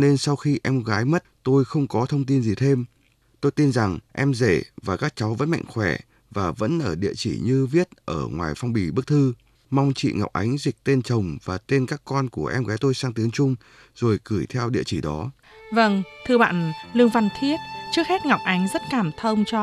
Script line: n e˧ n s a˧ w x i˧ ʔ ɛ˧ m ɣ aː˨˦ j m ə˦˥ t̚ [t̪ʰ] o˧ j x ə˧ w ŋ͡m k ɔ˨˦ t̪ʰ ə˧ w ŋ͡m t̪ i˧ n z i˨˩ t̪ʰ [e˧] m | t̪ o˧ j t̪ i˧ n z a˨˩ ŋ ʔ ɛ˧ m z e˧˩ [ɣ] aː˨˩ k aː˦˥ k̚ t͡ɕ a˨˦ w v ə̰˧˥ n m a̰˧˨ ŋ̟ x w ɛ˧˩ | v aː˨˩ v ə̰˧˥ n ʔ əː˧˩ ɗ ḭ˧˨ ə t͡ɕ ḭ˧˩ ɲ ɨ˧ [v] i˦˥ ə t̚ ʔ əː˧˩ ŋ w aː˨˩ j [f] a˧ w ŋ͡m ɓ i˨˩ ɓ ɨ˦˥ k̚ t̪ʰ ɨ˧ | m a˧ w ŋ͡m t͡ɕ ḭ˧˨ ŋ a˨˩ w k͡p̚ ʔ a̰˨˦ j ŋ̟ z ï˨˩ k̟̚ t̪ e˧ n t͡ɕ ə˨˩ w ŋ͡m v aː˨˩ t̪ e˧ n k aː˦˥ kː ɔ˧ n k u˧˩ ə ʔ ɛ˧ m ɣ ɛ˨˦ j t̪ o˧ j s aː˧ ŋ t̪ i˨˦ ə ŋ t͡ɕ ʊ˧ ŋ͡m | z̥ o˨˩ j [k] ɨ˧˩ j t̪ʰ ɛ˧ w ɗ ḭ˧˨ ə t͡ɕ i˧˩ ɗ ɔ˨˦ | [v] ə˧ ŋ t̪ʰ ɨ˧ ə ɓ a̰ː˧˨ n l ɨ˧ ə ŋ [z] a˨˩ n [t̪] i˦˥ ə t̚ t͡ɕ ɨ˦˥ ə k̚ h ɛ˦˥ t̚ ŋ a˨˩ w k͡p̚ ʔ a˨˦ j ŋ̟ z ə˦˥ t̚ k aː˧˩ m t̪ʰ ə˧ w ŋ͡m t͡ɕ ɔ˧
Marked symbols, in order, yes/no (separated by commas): no, yes, no, yes, yes, yes, yes, no, no